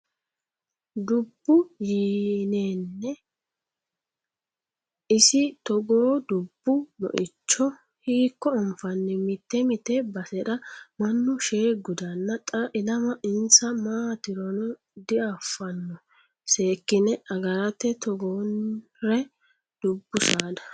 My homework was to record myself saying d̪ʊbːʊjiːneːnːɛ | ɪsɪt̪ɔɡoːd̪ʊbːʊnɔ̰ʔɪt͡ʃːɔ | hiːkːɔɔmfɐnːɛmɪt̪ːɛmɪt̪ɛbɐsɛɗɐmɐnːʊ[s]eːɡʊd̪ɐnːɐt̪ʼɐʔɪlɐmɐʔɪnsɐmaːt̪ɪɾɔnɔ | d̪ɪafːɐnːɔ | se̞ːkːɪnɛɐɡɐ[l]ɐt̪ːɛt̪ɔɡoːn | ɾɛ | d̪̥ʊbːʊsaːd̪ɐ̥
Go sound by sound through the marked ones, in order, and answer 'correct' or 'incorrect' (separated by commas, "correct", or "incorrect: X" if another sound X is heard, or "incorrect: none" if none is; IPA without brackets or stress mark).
incorrect: ʃ, incorrect: ɾ